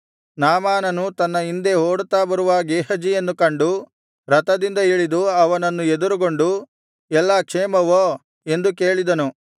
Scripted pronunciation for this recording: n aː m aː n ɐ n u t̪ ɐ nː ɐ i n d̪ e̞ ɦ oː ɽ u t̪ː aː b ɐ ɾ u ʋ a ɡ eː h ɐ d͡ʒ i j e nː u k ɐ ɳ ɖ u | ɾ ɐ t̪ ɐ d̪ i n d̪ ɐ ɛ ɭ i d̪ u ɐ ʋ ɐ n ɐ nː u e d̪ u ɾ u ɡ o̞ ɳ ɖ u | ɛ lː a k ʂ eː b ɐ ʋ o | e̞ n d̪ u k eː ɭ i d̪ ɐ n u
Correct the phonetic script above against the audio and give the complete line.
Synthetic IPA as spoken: n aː m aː n ɐ n u t̪ ɐ nː ɐ i n d̪ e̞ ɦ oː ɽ u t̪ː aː b ɐ ɾ u ʋ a ɡ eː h ɐ d͡ʒ i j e nː u k ɐ ɳ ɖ u | ɾ ɐ t̪ ɐ d̪ i n d̪ ɐ i ɭ i d̪ u ɐ ʋ ɐ n ɐ nː u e d̪ u ɾ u ɡ o̞ ɳ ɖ u | ɛ lː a k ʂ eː m ɐ ʋ o | e̞ n d̪ u k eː ɭ i d̪ ɐ n u